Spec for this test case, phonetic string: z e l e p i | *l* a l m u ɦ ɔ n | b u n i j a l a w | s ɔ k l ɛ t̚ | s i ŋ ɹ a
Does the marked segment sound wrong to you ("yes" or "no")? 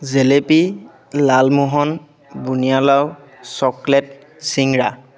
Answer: no